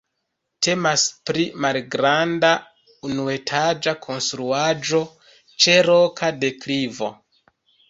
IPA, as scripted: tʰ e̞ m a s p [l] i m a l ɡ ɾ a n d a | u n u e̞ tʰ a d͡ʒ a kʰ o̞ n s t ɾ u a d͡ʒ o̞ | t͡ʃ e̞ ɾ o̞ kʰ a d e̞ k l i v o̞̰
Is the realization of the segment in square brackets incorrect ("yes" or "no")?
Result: yes